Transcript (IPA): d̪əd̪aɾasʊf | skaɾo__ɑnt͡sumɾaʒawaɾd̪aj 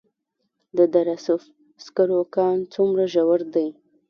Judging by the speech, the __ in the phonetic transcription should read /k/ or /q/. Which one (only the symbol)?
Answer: k